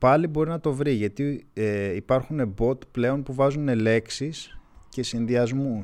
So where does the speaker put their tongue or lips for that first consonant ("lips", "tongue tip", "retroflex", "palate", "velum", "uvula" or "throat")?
lips